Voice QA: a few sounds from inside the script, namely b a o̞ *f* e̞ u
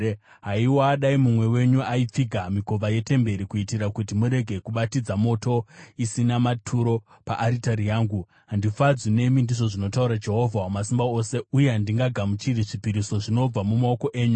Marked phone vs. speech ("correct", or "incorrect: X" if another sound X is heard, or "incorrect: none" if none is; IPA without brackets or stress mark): incorrect: s